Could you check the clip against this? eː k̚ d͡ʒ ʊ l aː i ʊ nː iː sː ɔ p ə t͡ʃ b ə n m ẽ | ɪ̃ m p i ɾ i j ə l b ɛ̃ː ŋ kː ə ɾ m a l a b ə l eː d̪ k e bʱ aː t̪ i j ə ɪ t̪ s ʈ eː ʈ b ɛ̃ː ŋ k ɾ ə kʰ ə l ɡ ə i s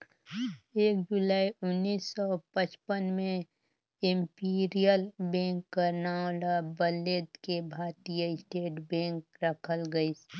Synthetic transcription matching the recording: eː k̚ d͡ʒ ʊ l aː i ʊ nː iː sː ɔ p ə t͡ʃ p ə n m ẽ | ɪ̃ m p i ɾ i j ə l b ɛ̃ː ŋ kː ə ɾ n a l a b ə l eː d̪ k e bʱ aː t̪ i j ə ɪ s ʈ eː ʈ b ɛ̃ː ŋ k ɾ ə kʰ ə l ɡ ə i s